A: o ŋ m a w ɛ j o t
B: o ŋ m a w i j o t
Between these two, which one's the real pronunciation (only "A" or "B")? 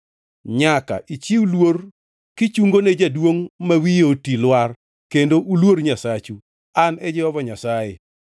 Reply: B